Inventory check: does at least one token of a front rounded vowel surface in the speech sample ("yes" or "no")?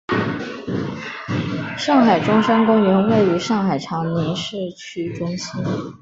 yes